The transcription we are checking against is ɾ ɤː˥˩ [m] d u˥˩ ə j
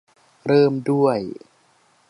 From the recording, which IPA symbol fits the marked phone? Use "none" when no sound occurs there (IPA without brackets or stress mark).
m